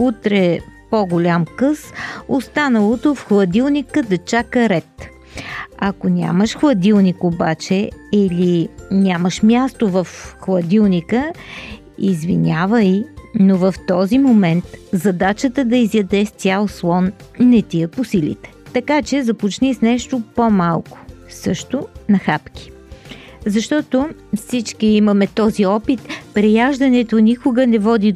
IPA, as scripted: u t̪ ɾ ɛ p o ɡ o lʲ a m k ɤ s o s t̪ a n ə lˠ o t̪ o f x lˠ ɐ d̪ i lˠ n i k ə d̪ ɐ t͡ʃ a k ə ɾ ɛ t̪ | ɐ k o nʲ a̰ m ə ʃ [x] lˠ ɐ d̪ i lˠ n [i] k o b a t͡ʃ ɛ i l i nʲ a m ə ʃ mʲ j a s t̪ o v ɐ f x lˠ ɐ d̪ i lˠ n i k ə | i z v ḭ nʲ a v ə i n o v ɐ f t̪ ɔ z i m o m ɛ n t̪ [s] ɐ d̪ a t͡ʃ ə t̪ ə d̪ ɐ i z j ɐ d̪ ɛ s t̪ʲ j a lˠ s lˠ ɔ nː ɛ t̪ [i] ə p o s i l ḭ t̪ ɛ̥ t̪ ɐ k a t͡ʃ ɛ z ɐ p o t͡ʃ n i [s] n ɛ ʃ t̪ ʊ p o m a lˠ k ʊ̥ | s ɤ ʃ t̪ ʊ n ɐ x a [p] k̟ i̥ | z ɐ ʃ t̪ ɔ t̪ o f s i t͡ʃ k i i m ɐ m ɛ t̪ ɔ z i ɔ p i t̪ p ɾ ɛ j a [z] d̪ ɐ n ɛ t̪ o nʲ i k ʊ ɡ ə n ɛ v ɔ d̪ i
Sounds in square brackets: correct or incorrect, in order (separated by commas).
correct, correct, incorrect, correct, correct, correct, incorrect